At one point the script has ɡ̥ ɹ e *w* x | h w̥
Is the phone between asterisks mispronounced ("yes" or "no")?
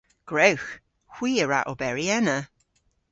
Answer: no